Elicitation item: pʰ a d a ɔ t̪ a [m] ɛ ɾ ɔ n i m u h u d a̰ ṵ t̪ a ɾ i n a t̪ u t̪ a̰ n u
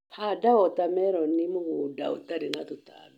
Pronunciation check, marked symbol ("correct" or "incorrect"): correct